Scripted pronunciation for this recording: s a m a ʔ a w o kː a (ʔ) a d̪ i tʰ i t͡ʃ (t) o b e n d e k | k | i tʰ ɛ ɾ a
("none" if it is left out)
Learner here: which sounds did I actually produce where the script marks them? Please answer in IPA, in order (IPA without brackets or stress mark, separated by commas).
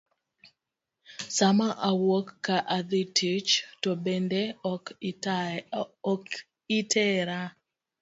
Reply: ʔ, t